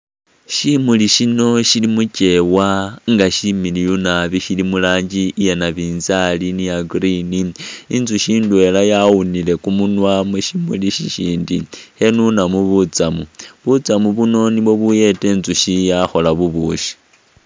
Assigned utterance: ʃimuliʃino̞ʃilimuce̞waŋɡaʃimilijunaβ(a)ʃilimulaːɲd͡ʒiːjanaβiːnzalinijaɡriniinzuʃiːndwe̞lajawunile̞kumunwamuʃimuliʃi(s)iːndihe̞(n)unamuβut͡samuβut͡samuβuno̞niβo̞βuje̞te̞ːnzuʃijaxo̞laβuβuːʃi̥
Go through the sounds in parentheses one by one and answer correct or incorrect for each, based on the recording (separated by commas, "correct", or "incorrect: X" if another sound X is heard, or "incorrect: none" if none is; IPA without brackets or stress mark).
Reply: incorrect: i, incorrect: ʃ, correct